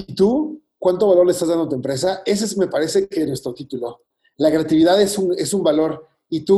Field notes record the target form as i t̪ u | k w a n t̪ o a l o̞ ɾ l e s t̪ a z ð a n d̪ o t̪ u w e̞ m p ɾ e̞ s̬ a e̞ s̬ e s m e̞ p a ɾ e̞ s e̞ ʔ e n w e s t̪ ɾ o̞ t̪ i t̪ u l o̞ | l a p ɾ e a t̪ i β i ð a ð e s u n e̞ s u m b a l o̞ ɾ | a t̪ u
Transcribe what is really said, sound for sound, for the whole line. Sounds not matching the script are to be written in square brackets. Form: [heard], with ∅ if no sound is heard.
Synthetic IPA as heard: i t̪ u | k w a n t̪ o a l o̞ ɾ l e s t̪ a z ð a n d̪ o t̪ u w e̞ m p ɾ e̞ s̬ a e̞ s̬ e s m e̞ p a ɾ e̞ s e̞ [k] e n w e s t̪ ɾ o̞ t̪ i t̪ u l o̞ | l a [k] ɾ e a t̪ i β i ð a ð e s u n e̞ s u m b a l o̞ ɾ | [i] t̪ u